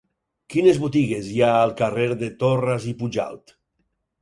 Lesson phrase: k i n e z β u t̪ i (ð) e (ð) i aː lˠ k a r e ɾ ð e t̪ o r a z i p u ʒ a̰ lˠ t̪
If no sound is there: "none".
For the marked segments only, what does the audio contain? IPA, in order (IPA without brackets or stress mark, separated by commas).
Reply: ɣ, z